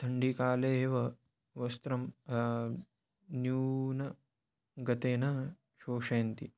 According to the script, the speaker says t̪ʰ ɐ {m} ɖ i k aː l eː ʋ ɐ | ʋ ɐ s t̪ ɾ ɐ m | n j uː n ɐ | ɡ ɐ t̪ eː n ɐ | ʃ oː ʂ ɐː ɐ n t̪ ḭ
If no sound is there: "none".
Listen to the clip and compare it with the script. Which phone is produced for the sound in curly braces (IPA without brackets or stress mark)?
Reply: ɳ